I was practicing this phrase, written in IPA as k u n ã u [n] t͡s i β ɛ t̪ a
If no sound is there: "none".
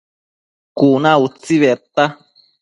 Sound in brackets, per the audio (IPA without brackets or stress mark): none